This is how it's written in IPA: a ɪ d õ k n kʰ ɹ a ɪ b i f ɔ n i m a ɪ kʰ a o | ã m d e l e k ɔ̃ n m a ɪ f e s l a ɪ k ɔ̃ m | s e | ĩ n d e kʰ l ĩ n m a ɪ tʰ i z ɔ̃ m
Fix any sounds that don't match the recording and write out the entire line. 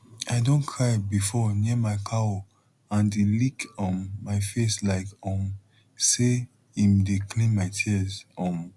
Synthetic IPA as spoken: a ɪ d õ n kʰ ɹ a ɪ b i f ɔ n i m a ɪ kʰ a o | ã n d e l i k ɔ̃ n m a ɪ f e s l a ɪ k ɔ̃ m | s e | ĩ m d e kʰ l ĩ n m a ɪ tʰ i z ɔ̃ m